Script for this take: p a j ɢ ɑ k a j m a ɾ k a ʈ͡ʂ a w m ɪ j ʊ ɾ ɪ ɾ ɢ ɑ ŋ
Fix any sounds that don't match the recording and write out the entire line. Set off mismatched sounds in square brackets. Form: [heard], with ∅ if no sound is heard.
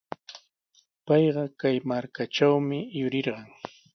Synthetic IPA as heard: p [ɑ] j ɢ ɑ k a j m a ɾ k a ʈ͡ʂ a w m ɪ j ʊ ɾ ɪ ɾ ɢ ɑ ŋ